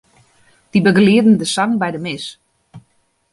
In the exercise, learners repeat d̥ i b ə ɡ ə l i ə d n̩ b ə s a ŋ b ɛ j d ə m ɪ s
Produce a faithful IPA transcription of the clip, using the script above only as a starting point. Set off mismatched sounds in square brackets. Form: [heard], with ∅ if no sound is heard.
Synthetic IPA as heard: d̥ i b ə ɡ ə l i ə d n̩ [d] ə s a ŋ b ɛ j d ə m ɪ s